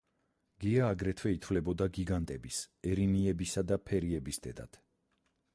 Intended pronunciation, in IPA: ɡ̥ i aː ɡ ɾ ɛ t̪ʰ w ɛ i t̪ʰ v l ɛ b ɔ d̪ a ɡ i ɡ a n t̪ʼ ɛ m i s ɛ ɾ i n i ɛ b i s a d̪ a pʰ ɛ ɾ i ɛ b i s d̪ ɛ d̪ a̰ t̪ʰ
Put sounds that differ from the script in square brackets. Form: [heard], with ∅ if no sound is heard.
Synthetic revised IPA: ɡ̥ i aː ɡ ɾ ɛ t̪ʰ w ɛ i t̪ʰ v l ɛ b ɔ d̪ a ɡ i ɡ a n t̪ʼ ɛ [b] i s ɛ ɾ i n i ɛ b i s a d̪ a pʰ ɛ ɾ i ɛ b i s d̪ ɛ d̪ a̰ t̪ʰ

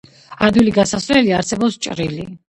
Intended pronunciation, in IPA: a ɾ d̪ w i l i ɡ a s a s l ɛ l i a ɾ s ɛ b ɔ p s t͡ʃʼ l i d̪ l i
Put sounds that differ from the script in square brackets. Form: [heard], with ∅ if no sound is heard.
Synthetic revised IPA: a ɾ d̪ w i l i ɡ a s a s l ɛ l i a ɾ s ɛ b ɔ p s t͡ʃʼ [ɾ] i [∅] l i

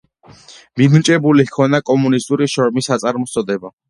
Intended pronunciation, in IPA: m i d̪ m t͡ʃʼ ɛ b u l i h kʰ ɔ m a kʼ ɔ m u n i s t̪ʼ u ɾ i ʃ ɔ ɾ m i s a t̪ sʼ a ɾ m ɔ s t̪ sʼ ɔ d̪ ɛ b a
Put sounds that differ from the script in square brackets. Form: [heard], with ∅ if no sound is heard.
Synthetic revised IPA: m i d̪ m t͡ʃʼ ɛ b u l i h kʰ ɔ [n] a kʼ ɔ m u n i s t̪ʼ u ɾ i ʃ ɔ ɾ m i s a t̪ sʼ a ɾ m ɔ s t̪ sʼ ɔ d̪ ɛ b a

